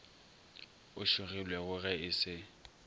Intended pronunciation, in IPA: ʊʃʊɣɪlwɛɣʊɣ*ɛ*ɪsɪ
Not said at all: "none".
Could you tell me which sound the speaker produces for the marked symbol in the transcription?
ɛ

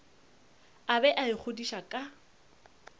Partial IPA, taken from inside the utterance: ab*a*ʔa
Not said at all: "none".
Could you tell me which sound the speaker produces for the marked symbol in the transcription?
ɛ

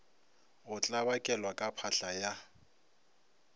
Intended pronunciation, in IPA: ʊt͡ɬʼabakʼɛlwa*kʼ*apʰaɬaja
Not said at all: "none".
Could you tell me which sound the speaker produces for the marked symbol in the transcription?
kʼ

